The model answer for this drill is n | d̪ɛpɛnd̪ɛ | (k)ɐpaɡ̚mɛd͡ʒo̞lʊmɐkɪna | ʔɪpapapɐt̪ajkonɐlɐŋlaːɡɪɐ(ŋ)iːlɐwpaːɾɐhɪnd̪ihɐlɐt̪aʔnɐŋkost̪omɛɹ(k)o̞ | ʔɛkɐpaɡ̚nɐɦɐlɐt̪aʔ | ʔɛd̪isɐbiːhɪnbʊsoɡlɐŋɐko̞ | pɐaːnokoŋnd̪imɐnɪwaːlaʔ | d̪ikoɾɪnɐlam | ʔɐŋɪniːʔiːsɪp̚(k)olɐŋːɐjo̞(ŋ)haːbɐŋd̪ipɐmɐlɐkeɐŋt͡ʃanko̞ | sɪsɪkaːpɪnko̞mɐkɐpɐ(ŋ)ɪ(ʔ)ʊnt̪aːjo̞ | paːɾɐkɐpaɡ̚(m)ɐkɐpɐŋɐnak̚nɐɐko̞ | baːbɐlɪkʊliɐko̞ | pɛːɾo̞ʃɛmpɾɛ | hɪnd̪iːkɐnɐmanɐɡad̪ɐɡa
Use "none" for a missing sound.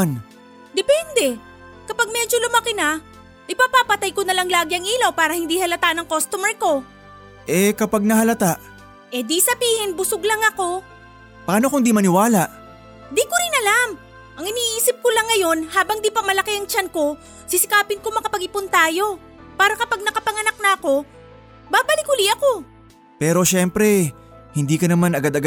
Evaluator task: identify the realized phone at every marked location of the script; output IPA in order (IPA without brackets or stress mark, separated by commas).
k, ŋ, k, k, n, ɡ, p, n